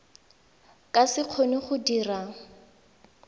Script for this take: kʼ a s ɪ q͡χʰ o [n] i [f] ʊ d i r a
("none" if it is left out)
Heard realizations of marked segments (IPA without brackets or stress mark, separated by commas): n, χ